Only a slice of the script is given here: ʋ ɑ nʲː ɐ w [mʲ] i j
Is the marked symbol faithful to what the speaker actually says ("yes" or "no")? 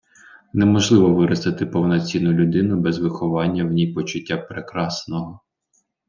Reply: no